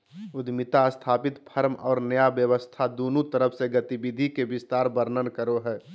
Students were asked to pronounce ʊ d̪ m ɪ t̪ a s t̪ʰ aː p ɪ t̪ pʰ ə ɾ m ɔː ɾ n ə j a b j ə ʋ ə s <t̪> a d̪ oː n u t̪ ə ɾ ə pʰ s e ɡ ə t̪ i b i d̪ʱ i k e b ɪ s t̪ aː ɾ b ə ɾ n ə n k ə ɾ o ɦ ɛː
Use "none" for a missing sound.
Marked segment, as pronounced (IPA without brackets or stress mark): t̪ʰ